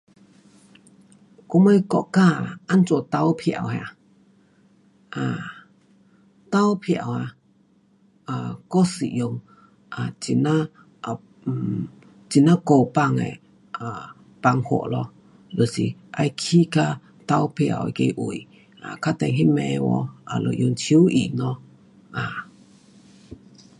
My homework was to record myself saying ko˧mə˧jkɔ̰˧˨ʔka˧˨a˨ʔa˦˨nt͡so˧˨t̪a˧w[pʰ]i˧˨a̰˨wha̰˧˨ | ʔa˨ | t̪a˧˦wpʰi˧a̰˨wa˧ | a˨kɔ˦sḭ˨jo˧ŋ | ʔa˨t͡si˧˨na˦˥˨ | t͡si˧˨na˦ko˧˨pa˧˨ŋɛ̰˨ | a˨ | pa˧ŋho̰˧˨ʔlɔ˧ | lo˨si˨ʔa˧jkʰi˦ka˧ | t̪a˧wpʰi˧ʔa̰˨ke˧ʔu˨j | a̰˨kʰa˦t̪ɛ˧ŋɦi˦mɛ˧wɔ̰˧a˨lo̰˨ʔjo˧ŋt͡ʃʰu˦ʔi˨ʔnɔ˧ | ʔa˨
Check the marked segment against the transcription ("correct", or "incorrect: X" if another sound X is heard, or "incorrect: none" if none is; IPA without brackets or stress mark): correct